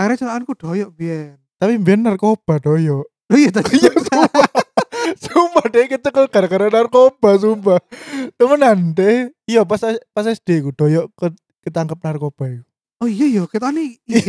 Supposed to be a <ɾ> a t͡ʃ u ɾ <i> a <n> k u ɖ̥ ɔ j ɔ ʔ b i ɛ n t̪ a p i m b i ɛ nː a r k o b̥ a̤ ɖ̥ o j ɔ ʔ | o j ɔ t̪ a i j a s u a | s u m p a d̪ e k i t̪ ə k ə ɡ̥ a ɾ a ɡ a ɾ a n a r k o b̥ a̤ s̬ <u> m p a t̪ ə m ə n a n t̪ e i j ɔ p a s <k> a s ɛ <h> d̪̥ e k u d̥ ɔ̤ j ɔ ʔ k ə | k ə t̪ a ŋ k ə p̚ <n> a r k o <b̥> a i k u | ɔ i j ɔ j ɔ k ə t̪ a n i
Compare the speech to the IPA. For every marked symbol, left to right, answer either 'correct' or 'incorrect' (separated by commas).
correct, incorrect, correct, correct, incorrect, incorrect, correct, correct